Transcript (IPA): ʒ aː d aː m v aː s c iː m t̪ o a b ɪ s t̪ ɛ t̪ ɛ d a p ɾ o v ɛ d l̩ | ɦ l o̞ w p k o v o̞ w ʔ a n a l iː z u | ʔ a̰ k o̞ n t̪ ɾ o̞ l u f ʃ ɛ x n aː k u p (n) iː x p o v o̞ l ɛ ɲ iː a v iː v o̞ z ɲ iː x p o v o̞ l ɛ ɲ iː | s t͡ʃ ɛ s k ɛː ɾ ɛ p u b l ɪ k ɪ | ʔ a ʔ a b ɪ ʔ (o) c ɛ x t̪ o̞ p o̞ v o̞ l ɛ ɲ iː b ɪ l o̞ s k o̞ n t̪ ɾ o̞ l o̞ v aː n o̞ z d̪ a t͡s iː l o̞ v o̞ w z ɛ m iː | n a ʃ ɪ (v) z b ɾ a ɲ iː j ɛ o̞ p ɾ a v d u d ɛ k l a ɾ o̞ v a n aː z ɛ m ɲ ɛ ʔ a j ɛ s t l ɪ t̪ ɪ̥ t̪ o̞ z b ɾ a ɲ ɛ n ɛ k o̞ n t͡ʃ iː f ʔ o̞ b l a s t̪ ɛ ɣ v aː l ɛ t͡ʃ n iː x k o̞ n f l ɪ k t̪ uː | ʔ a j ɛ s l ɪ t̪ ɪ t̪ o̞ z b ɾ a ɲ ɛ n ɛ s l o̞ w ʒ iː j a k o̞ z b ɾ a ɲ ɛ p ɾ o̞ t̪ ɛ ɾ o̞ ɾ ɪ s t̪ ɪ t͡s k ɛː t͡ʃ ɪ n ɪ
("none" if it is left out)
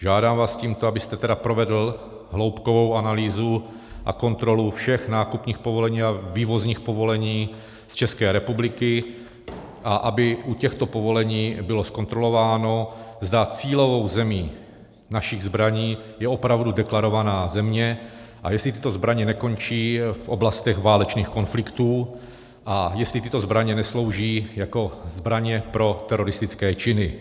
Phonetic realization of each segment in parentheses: ɲ, u, ɣ

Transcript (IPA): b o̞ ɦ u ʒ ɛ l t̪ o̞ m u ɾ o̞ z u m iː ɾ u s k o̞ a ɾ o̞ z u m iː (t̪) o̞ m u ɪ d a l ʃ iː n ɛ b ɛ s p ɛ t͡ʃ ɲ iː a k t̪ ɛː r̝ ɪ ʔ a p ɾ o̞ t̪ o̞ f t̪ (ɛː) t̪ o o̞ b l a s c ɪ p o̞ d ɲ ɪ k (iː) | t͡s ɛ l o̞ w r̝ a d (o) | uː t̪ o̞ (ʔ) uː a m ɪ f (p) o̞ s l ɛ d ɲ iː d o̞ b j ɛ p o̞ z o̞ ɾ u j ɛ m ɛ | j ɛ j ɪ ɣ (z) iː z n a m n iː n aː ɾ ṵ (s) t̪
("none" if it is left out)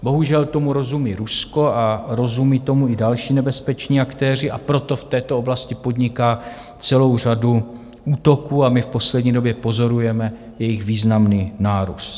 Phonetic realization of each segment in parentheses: t̪, ɛː, aː, u, k, p, v, s

